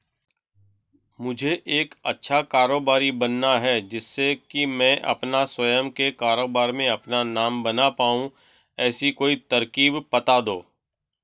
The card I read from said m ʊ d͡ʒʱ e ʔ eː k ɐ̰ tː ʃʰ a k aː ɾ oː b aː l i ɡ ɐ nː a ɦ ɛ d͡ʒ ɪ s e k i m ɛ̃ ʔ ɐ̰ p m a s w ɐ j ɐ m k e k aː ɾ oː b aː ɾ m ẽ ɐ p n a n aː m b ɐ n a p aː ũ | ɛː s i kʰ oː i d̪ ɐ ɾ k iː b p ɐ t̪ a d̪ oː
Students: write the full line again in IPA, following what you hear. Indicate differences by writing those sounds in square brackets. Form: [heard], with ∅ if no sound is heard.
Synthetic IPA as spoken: m ʊ d͡ʒʱ e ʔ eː k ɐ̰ tː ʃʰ a k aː ɾ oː b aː [ɾ] i [b] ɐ nː a ɦ ɛ d͡ʒ ɪ [sː] e k i m ɛ̃ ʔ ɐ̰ p [n] a s w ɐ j [ə] m k e k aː ɾ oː b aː ɾ m ẽ ɐ p n a n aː m b ɐ n a p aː ũ | ɛː s i [k] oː i [t̪] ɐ ɾ k iː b p ɐ t̪ a d̪ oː